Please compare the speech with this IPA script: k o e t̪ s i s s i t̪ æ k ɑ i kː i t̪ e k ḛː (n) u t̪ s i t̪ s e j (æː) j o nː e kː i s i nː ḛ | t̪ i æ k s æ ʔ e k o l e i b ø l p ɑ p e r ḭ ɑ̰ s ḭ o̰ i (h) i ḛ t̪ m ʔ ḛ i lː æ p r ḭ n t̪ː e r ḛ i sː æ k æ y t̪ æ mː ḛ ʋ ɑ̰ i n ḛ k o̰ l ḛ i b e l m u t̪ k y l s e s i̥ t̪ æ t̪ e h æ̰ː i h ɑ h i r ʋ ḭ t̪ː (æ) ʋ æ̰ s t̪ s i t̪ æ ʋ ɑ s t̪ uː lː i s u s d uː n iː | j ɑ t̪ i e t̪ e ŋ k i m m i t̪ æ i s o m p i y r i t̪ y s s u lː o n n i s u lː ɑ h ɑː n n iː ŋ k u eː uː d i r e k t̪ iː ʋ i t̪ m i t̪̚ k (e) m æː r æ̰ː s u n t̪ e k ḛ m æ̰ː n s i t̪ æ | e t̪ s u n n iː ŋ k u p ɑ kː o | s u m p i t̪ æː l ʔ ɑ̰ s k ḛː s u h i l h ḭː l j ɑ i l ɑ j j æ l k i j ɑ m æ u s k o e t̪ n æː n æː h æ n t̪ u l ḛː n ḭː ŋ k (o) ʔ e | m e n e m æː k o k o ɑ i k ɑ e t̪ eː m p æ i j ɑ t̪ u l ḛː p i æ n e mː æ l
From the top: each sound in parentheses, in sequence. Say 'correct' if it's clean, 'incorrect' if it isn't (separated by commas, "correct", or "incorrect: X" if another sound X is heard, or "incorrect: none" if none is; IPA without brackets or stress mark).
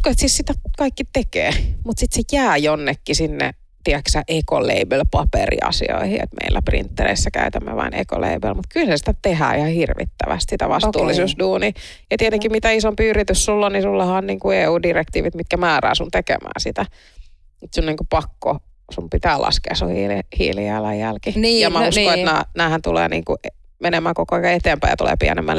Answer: incorrect: m, correct, correct, correct, incorrect: æ, incorrect: u